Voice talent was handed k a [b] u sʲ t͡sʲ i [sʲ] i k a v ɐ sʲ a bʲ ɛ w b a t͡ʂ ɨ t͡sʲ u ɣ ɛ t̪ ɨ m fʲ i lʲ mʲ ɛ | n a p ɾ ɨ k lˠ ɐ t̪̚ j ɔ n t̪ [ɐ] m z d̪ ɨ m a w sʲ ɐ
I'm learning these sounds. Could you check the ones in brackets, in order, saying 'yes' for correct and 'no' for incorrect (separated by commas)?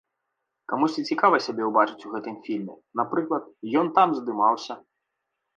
no, no, no